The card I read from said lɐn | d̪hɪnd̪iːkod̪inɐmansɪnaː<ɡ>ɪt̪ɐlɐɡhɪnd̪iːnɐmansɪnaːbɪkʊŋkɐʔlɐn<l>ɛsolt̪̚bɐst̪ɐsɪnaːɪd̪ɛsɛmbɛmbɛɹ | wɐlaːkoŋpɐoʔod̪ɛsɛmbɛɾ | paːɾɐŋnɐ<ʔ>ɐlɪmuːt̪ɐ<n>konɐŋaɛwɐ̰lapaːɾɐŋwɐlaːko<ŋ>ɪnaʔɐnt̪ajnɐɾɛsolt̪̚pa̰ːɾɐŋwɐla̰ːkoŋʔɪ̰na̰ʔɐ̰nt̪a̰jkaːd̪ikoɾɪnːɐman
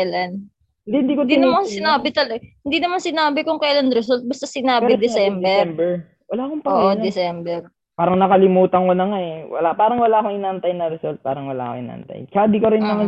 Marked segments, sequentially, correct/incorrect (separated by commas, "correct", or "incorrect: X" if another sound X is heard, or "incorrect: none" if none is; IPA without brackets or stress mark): incorrect: b, incorrect: ɾ, incorrect: k, incorrect: ŋ, correct